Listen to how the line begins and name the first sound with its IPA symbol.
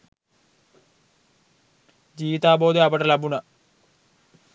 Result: d͡ʑ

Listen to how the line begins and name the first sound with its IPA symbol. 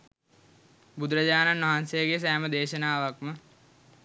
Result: b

